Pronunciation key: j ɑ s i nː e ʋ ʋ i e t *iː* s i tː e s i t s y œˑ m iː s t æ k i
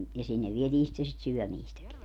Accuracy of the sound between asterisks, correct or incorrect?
correct